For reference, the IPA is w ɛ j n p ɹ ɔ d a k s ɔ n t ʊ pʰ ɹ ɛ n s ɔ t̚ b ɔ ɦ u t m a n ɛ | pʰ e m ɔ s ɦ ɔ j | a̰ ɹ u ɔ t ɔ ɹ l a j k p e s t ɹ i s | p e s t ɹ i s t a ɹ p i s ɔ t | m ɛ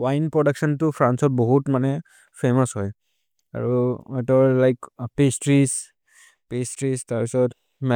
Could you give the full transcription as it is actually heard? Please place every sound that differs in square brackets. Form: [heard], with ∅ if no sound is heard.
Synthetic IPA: w [a] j n p ɹ ɔ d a k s ɔ n t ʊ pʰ ɹ [a] n s ɔ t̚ b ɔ ɦ u t m a n ɛ | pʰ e m ɔ s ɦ ɔ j | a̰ ɹ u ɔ t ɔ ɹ l a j k p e s t ɹ i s | p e s t ɹ i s t a ɹ p i s ɔ t | m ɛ